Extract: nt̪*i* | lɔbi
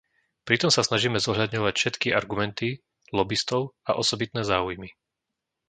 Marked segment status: correct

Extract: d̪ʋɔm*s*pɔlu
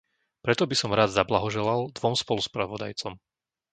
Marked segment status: correct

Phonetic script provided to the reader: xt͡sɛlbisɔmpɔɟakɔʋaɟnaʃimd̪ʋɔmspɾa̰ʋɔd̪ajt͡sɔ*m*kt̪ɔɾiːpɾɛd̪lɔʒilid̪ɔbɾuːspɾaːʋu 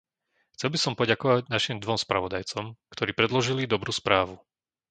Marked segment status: correct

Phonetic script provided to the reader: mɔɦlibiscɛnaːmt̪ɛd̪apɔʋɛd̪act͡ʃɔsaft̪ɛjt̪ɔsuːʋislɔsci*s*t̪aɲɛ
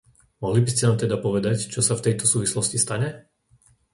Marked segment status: correct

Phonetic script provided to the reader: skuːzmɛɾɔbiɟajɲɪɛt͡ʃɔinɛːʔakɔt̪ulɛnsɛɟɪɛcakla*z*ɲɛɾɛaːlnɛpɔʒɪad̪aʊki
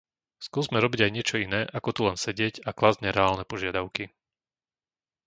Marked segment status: correct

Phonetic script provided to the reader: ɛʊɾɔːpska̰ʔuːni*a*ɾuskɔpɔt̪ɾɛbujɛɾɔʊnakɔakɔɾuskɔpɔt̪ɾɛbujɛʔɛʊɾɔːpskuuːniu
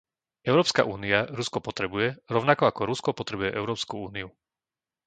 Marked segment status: correct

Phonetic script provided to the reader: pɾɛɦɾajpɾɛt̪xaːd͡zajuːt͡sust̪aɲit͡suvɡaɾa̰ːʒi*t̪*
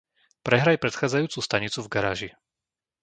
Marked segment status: incorrect: none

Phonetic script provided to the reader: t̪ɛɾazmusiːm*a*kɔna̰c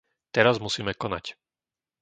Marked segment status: incorrect: ɛ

